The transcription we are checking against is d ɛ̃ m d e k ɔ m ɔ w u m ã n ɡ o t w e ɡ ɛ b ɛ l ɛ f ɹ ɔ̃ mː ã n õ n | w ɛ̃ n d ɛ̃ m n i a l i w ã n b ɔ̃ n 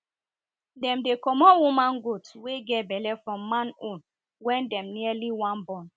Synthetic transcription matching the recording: d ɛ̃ m d e k ɔ m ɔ w u m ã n ɡ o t w e ɡ ɛ b ɛ l ɛ f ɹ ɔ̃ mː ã n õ n | w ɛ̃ n d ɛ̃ m n i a l i w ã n b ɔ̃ n